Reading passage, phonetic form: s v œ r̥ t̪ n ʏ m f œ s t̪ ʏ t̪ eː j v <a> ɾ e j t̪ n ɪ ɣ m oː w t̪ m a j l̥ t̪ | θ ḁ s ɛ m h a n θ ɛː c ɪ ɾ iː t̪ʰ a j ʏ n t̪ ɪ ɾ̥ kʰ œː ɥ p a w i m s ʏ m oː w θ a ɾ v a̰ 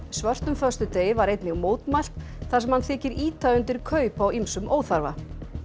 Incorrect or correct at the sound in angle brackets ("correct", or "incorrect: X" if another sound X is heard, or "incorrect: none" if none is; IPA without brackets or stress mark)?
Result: correct